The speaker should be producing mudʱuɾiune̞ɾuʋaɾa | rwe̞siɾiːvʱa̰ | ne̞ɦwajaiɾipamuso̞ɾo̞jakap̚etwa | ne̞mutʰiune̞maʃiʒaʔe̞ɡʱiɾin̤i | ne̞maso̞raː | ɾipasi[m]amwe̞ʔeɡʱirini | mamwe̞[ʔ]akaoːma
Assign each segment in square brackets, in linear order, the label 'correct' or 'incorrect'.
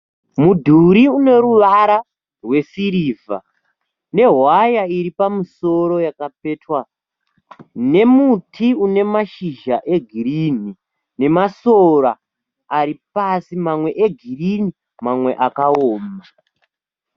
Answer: correct, correct

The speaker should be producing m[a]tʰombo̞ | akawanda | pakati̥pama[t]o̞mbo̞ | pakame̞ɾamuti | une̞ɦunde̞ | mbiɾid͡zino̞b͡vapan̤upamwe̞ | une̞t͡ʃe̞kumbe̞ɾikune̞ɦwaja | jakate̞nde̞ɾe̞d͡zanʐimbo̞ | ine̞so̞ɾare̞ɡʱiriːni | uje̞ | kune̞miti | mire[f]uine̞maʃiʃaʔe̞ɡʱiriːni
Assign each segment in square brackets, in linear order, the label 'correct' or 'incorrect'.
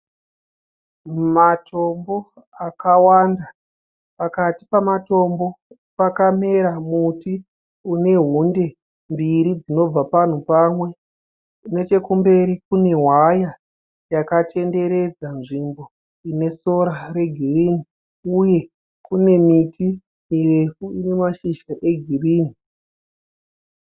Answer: correct, correct, correct

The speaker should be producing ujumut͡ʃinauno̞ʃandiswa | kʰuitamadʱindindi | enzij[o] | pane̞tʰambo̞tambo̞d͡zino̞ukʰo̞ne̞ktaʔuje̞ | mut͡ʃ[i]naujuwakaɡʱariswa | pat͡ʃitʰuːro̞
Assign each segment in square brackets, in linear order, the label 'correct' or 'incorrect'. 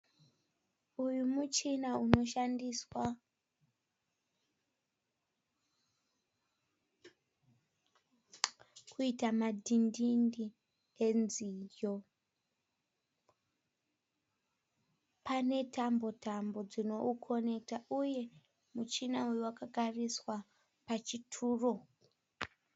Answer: correct, correct

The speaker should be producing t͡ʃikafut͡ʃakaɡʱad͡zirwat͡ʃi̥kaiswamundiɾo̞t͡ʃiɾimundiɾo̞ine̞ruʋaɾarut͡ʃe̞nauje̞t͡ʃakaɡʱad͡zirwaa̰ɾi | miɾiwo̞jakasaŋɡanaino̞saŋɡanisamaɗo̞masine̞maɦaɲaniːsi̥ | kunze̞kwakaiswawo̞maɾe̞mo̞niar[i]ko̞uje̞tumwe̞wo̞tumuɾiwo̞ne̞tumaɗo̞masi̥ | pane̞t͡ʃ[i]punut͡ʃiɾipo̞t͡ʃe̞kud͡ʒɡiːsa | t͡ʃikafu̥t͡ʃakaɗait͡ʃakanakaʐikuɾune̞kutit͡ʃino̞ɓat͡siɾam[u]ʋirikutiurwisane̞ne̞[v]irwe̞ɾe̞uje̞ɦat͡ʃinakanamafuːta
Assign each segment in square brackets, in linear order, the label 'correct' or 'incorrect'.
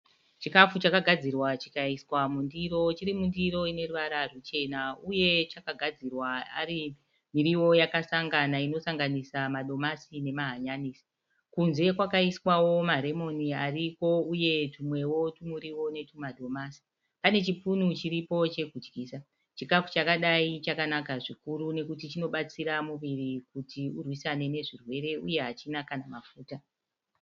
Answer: correct, correct, correct, incorrect

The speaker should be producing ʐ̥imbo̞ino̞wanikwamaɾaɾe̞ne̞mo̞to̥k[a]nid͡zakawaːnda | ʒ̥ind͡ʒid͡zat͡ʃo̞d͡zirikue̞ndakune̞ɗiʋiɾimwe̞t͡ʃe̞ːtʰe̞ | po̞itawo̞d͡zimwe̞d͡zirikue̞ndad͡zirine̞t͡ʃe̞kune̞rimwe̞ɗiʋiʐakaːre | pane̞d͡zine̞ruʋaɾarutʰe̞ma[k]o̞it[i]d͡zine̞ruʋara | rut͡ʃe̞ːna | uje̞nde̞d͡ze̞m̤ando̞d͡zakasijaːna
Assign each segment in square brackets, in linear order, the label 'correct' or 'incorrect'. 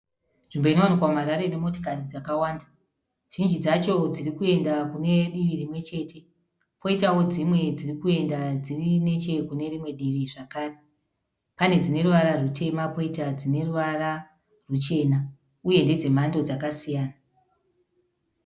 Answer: correct, incorrect, incorrect

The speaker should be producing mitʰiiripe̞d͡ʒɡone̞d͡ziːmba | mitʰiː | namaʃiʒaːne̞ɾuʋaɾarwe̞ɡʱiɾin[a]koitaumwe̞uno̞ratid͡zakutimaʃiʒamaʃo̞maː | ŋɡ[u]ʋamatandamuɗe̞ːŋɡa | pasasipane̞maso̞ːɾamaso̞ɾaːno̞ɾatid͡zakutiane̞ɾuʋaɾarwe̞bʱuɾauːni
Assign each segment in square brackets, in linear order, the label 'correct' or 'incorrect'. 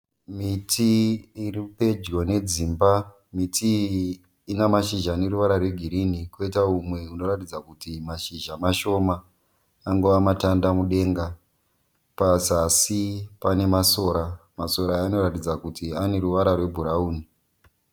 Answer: incorrect, incorrect

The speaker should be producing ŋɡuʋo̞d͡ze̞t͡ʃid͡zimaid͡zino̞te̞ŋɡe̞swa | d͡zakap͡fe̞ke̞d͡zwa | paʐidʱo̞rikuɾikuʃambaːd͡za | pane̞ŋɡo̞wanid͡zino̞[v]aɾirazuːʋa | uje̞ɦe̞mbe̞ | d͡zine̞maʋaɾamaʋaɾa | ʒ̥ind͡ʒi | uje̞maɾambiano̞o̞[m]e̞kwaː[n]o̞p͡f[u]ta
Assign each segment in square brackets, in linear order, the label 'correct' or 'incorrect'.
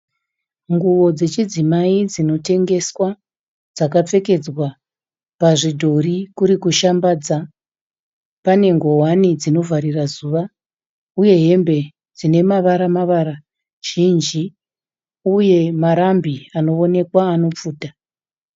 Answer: correct, incorrect, correct, incorrect

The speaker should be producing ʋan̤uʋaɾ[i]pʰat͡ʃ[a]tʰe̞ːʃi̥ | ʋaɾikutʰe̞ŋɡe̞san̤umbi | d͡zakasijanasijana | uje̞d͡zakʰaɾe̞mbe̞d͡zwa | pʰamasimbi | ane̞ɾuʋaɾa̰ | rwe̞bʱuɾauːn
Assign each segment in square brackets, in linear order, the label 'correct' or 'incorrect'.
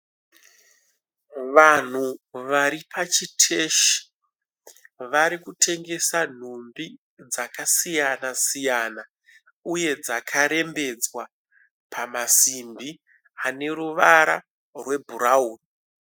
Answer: correct, incorrect

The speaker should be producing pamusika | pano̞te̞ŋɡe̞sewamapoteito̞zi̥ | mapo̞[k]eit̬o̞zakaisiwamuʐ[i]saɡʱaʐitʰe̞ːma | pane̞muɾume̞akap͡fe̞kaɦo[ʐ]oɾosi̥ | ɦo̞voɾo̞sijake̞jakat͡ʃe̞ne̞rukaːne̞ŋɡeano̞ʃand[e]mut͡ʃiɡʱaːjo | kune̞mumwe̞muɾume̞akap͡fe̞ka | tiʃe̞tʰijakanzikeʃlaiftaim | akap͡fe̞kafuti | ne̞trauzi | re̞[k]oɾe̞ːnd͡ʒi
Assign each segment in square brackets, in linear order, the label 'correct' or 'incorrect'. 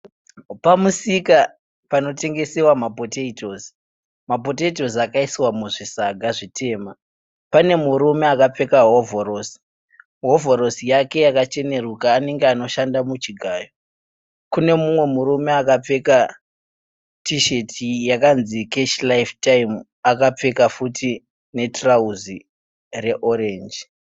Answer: incorrect, correct, incorrect, incorrect, incorrect

